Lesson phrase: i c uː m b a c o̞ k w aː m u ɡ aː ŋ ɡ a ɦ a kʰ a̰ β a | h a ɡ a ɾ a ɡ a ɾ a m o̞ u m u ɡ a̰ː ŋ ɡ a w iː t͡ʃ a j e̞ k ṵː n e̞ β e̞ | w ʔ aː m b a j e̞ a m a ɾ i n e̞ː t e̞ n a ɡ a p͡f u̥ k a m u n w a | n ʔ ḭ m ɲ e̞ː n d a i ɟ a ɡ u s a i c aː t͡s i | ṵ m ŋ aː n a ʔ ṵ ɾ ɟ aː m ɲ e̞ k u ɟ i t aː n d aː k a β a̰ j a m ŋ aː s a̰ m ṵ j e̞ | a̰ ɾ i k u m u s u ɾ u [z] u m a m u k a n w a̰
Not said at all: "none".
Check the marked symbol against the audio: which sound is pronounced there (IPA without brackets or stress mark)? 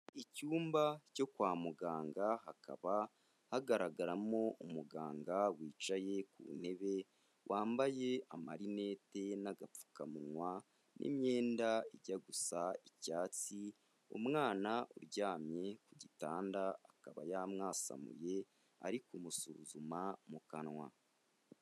z